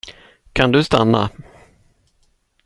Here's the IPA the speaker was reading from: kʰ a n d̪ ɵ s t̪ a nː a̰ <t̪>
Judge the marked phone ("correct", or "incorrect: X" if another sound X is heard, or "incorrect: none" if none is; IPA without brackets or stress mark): incorrect: none